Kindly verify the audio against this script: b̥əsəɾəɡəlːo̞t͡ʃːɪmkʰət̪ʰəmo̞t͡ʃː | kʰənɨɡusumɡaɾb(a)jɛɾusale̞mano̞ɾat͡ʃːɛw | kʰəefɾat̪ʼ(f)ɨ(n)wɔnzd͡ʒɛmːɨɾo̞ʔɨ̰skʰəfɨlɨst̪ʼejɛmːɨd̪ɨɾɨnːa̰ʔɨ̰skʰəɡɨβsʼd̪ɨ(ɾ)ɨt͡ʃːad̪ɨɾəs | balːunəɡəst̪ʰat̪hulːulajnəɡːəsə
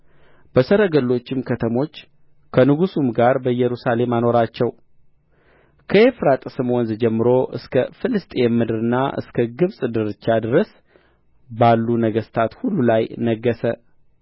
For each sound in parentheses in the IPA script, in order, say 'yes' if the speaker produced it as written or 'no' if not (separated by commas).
no, no, no, yes